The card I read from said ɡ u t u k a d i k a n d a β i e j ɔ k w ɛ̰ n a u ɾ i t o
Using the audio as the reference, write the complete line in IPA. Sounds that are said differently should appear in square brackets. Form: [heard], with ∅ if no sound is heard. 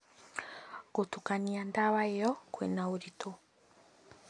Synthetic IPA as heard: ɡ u t u k a [n] i [∅] a n d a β [a] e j ɔ k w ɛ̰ n a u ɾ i t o